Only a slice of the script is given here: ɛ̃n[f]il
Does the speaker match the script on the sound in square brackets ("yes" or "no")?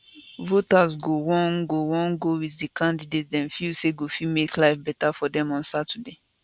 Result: yes